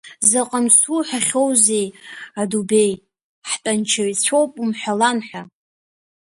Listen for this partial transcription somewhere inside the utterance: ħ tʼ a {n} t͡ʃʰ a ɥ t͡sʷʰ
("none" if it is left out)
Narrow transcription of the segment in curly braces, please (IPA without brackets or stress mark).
n